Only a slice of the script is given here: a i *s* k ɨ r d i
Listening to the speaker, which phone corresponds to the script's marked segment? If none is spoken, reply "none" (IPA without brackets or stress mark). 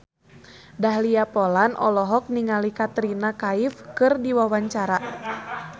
f